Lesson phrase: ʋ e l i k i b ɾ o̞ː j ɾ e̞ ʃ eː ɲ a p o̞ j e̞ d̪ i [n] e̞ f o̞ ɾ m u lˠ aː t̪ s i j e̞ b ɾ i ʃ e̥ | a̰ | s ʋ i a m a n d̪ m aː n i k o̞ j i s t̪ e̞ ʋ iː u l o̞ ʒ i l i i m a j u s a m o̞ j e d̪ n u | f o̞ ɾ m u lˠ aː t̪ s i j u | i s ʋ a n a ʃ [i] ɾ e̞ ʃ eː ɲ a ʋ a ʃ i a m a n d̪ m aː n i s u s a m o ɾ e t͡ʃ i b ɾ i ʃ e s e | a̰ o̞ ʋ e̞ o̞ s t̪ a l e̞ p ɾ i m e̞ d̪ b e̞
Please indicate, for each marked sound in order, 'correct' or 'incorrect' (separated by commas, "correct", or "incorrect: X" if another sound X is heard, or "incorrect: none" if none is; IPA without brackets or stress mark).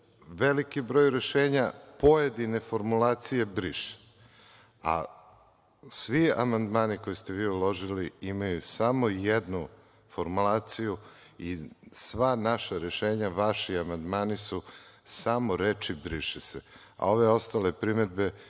correct, incorrect: a